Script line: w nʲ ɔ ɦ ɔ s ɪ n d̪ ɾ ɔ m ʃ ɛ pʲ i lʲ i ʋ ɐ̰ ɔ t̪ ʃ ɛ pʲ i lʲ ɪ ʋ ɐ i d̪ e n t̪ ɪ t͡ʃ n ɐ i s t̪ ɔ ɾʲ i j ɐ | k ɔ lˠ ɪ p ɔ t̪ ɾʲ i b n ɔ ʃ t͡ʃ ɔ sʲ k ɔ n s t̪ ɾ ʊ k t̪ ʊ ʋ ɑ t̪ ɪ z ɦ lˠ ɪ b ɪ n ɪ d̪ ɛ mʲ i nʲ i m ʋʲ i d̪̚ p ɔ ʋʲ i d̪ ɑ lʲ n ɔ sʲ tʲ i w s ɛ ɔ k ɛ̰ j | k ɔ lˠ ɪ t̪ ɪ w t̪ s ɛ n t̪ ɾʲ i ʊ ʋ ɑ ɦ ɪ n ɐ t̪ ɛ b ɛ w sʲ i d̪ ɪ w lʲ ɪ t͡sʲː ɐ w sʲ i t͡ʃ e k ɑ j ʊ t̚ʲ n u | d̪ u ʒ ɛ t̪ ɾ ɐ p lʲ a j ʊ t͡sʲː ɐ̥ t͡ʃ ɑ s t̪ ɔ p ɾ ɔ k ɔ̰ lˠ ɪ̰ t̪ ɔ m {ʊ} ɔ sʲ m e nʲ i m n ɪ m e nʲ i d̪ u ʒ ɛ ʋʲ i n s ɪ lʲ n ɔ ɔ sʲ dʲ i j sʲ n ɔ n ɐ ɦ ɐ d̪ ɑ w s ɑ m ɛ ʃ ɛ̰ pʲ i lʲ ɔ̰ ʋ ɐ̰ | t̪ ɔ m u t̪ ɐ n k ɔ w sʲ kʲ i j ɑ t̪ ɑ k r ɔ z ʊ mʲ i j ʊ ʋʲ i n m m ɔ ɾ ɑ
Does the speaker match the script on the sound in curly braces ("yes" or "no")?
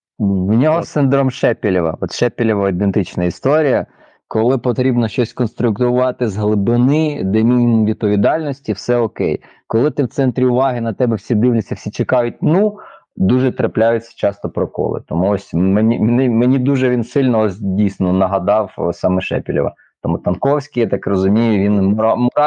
no